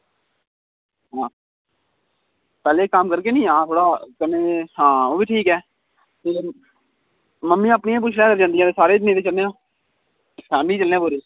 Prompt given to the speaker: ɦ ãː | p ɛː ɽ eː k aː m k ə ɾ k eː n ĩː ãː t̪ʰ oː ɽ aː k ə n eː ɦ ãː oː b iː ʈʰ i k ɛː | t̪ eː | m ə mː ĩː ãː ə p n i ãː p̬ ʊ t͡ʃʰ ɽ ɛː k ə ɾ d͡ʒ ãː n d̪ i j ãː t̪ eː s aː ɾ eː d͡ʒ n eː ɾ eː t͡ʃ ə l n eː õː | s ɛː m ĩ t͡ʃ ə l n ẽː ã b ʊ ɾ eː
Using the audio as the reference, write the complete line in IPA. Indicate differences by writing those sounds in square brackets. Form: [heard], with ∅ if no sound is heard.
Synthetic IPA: ɦ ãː | p ɛː [l] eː k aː m k ə ɾ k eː n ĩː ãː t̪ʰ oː ɽ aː k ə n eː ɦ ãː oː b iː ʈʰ [iː] k ɛː | t̪ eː | m ə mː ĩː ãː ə p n i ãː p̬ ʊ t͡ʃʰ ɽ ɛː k ə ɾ d͡ʒ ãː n d̪ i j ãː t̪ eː s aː ɾ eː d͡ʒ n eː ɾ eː t͡ʃ ə l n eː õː | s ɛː m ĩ t͡ʃ ə l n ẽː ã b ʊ ɾ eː